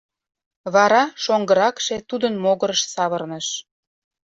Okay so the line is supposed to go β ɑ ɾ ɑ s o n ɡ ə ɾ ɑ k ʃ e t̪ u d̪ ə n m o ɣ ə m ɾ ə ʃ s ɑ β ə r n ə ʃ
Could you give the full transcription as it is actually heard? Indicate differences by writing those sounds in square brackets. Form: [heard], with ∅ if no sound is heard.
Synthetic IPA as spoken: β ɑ ɾ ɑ [ʃ] o [ŋ] ɡ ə ɾ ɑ k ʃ e t̪ u d̪ ə n m o ɣ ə [∅] ɾ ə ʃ s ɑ β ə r n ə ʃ